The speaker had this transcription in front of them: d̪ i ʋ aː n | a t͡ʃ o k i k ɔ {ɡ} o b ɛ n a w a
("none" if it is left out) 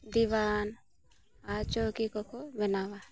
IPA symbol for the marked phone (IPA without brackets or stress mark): k